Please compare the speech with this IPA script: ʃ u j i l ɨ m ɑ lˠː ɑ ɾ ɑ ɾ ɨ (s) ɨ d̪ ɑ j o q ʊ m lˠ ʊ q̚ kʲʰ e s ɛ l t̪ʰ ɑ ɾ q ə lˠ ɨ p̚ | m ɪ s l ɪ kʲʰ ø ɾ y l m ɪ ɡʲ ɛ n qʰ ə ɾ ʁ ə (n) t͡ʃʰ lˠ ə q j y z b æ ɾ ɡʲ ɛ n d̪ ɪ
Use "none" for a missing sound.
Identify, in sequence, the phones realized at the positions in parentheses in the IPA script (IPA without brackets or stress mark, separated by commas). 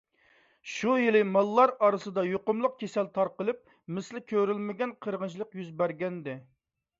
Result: s, n